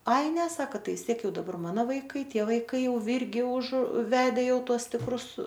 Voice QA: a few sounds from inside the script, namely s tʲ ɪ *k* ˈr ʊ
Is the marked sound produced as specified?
yes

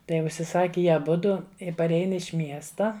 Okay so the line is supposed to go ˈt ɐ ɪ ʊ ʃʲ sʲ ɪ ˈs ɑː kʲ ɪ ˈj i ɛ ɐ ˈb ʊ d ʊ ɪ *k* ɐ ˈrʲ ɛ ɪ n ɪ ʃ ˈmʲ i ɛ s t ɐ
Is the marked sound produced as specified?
no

